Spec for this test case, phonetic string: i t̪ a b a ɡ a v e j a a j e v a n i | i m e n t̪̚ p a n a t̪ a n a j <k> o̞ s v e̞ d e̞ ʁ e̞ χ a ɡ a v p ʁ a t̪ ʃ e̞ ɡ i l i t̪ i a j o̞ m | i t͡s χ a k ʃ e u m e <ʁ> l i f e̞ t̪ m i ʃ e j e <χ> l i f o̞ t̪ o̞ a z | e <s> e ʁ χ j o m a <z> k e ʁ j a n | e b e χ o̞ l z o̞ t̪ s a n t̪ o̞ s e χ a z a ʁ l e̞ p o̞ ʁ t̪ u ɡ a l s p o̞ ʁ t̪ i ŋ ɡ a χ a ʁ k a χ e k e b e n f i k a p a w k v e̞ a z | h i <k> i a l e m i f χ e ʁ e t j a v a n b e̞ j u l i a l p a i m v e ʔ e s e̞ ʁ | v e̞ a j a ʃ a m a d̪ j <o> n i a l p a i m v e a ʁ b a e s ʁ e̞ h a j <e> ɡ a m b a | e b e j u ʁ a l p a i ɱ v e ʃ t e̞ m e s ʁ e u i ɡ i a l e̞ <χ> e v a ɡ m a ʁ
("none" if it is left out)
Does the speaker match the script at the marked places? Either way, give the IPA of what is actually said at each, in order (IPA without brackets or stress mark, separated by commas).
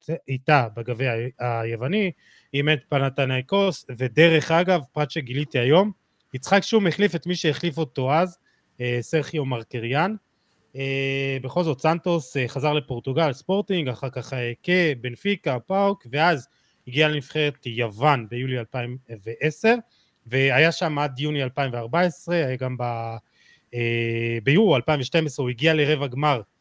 k, χ, χ, s, ʁ, ɡ, u, a, ʁ